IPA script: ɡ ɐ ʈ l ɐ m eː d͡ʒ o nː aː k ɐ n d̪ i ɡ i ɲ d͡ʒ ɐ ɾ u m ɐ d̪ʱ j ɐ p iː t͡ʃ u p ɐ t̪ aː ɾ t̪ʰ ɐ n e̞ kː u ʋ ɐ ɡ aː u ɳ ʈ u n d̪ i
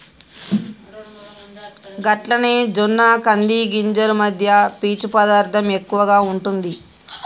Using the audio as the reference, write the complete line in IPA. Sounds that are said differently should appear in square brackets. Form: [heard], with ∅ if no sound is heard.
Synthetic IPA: ɡ ɐ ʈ l ɐ [n] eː d͡ʒ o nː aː k ɐ n d̪ i ɡ i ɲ d͡ʒ ɐ ɾ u m ɐ d̪ʱ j ɐ p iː t͡ʃ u p ɐ [d̪] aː ɾ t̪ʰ ɐ [m] e̞ kː u ʋ ɐ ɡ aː u ɳ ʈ u n d̪ i